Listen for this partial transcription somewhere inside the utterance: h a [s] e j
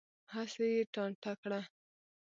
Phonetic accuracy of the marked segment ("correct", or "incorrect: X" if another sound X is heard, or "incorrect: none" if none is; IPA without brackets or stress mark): correct